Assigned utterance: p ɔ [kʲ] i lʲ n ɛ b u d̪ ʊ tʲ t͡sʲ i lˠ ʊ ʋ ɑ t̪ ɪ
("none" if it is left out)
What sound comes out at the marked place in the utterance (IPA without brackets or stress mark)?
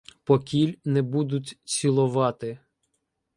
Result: kʲ